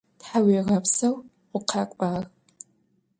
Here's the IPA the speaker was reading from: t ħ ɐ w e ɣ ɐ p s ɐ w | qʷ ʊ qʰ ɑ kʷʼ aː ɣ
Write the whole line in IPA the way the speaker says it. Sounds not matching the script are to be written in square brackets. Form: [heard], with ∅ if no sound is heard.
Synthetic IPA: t ħ [a] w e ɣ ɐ p s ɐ w | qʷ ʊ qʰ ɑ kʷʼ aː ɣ